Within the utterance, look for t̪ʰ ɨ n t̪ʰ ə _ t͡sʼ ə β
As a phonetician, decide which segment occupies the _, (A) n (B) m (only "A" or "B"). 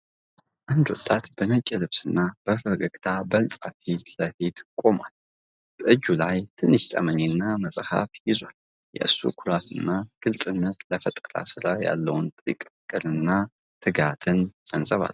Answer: A